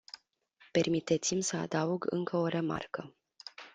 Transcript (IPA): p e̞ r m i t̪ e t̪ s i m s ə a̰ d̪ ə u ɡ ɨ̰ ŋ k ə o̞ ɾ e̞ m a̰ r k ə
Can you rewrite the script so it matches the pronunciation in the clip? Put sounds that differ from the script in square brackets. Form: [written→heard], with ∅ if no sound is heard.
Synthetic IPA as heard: p e̞ r m i t̪ e t̪ s i m s ə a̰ d̪ [ə→a] u ɡ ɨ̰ ŋ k ə o̞ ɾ e̞ m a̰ r k ə